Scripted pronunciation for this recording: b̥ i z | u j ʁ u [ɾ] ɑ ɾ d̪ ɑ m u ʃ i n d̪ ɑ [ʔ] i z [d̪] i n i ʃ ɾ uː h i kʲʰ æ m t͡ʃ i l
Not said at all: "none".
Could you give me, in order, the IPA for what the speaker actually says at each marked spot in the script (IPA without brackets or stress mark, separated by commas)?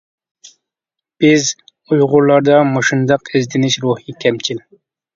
l, q, d̪